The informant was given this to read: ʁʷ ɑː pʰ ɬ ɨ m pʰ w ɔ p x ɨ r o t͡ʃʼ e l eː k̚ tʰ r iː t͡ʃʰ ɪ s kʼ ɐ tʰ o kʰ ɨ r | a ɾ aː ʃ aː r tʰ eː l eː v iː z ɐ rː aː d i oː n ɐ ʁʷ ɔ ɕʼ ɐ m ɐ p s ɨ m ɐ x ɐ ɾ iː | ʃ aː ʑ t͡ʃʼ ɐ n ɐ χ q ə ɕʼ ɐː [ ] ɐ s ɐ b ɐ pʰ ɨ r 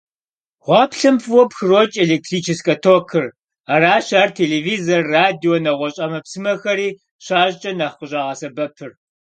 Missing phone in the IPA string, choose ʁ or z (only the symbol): ʁ